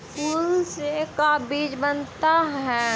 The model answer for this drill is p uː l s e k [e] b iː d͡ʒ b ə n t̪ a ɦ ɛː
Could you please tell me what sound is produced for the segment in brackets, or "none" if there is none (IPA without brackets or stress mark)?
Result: a